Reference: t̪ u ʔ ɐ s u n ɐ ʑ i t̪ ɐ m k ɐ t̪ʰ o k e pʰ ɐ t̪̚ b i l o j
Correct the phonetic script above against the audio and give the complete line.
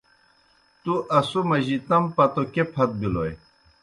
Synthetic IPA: t̪ u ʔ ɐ s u m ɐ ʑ i t̪ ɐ m p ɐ t̪ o k e pʰ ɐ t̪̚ b i l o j